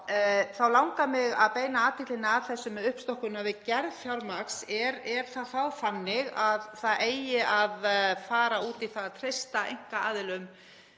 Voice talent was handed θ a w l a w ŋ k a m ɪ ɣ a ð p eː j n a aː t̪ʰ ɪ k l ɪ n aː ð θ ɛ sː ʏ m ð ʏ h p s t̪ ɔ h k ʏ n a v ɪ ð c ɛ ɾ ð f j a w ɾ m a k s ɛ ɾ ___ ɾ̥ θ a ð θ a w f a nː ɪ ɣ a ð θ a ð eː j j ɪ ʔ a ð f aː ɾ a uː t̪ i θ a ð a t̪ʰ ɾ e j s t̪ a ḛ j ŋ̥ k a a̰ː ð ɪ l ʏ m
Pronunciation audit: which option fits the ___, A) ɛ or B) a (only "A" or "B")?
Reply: A